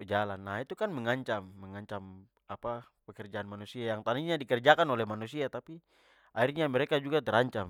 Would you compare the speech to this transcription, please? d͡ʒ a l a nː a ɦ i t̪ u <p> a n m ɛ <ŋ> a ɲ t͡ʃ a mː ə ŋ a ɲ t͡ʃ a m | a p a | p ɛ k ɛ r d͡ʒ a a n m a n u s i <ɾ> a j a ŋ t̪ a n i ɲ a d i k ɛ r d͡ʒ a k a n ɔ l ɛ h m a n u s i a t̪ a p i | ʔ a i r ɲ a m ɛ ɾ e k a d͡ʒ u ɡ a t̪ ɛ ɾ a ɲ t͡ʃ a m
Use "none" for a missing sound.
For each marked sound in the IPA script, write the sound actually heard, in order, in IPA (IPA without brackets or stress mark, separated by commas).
k, ŋ, none